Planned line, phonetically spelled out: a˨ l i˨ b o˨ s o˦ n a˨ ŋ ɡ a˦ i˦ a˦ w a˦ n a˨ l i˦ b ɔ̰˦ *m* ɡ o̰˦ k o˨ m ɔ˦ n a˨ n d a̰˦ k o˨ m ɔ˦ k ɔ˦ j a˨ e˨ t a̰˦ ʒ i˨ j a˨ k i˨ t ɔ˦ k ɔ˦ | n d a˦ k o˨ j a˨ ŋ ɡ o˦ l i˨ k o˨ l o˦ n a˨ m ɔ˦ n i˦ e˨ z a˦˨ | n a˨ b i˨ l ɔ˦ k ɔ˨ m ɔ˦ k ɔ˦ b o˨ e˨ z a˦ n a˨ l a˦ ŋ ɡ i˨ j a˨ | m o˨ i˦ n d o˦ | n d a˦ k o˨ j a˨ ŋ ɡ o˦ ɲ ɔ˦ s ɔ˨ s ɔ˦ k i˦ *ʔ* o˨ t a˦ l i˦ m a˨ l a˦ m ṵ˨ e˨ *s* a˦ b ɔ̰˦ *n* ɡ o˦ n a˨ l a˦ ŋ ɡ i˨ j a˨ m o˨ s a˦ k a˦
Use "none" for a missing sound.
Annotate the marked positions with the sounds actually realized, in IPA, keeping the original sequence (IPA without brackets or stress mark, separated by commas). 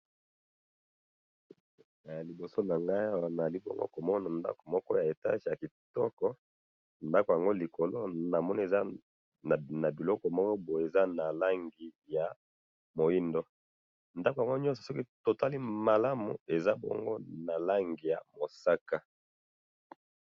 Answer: ŋ, t, z, ŋ